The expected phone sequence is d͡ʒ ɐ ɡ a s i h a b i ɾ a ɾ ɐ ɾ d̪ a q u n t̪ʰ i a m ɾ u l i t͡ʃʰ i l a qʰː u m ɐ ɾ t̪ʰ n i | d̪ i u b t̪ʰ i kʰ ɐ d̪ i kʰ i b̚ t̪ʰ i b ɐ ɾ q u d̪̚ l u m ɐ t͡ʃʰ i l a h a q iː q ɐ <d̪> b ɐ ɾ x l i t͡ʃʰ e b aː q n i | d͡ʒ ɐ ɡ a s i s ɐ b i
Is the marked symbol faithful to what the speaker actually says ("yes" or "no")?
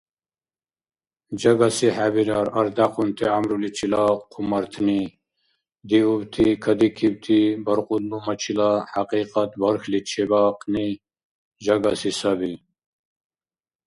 no